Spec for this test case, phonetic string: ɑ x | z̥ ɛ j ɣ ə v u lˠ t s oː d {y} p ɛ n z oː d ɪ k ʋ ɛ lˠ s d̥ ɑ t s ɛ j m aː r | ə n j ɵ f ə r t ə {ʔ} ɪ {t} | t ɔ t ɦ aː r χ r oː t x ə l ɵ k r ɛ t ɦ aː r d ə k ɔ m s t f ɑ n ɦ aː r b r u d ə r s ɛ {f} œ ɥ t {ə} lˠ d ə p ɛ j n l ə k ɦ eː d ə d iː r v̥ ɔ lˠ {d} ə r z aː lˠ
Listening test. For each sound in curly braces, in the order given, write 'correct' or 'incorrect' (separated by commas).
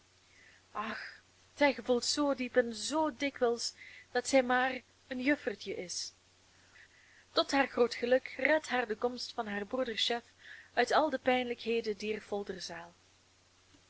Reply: incorrect, correct, incorrect, correct, incorrect, correct